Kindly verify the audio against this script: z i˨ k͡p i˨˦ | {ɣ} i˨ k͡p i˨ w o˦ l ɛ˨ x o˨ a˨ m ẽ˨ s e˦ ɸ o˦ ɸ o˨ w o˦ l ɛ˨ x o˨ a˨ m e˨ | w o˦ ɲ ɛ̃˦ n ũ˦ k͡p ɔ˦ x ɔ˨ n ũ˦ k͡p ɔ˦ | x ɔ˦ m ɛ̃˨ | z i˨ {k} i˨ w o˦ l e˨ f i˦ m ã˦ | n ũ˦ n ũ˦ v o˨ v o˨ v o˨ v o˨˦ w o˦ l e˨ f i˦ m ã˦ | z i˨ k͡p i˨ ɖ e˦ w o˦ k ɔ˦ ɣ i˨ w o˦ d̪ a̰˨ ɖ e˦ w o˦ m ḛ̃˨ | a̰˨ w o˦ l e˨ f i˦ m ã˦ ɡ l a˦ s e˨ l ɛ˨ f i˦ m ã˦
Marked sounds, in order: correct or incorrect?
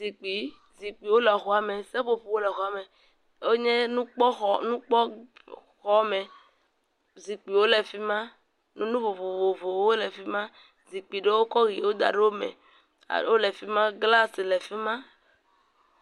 incorrect: z, incorrect: k͡p

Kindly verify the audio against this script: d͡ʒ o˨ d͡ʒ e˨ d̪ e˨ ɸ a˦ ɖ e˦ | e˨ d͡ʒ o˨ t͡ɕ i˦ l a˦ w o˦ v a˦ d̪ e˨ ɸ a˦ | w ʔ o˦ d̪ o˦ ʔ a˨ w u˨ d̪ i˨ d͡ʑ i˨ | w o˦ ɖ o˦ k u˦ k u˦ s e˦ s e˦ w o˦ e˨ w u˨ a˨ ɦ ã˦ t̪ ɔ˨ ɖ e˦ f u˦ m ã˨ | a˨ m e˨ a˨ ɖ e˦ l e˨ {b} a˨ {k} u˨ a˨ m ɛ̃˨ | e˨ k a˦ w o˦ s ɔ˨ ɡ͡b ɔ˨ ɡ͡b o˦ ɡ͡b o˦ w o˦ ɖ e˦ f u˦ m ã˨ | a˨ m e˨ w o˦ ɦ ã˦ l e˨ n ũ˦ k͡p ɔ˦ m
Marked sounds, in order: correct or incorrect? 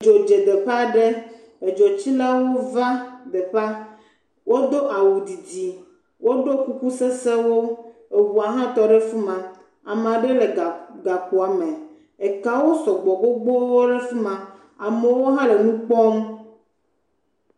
incorrect: ɡ, correct

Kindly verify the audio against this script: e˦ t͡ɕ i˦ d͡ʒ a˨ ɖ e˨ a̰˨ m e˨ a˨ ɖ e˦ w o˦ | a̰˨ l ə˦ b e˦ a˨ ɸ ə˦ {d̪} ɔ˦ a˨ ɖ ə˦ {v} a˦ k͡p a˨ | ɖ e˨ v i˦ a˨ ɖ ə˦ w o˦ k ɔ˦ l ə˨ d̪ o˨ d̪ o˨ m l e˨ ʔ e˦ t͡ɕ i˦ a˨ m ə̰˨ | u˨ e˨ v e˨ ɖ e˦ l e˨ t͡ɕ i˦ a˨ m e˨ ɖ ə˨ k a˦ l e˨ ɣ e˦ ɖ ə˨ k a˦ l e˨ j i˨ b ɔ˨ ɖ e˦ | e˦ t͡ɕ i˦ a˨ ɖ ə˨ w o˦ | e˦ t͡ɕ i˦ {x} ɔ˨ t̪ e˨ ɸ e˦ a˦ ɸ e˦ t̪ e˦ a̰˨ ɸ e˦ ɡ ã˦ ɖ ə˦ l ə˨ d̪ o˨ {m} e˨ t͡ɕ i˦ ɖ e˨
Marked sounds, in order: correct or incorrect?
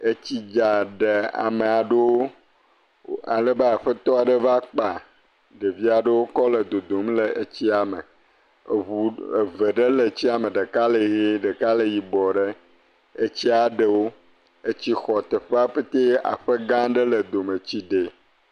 incorrect: t̪, correct, correct, correct

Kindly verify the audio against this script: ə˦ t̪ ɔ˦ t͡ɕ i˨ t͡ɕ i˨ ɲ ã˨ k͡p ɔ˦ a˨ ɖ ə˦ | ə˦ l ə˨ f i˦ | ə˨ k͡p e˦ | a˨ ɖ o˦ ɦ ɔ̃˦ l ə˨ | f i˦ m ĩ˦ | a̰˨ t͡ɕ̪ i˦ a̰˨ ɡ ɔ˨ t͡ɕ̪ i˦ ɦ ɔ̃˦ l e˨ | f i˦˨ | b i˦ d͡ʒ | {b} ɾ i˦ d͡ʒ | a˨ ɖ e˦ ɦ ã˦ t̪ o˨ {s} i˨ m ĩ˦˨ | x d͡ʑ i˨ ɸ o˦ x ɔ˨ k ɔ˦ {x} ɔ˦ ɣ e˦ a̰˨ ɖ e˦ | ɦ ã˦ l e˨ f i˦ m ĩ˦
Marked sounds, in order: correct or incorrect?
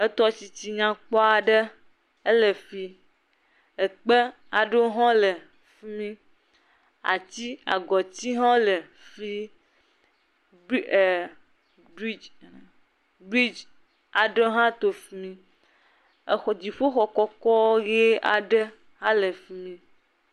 correct, incorrect: f, incorrect: k

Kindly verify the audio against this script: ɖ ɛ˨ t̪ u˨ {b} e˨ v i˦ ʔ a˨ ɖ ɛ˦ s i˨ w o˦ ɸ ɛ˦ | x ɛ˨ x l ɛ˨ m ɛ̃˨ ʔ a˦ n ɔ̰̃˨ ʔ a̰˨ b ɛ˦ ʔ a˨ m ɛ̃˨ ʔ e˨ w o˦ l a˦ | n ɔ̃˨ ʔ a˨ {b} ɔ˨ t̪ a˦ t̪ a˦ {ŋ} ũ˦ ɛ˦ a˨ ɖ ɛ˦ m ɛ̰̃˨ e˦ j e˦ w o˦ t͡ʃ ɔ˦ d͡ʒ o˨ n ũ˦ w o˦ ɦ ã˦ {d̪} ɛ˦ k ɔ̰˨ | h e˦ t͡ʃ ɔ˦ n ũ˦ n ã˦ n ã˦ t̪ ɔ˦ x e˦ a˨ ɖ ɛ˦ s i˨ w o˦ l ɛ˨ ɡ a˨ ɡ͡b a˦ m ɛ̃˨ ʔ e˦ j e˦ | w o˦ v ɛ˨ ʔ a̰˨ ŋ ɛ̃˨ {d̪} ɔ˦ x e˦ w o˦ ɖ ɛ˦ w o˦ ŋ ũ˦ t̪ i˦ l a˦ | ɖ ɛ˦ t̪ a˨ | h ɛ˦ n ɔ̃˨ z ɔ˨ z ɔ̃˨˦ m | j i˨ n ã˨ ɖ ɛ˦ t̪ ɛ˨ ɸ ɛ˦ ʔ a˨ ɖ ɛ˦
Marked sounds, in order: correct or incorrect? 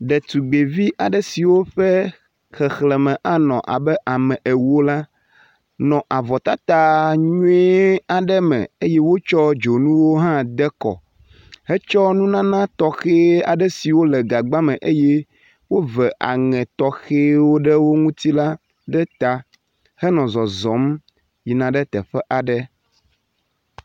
incorrect: ɡ͡b, incorrect: v, incorrect: ɲ, correct, incorrect: t̪

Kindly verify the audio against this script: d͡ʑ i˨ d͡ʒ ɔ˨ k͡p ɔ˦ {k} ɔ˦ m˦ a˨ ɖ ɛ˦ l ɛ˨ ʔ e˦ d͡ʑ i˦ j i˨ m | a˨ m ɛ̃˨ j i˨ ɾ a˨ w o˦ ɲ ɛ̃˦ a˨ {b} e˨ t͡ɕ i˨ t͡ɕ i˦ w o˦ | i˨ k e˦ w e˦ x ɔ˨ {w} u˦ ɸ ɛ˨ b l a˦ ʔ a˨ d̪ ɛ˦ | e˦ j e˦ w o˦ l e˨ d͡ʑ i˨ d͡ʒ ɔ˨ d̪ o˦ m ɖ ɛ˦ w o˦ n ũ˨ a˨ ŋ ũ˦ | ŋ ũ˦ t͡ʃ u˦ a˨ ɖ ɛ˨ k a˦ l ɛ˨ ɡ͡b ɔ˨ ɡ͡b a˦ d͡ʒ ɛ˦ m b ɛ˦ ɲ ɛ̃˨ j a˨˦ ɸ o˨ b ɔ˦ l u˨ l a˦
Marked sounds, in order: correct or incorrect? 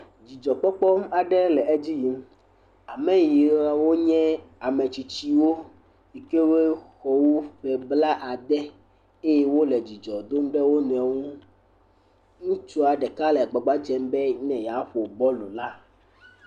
incorrect: k͡p, incorrect: m, correct

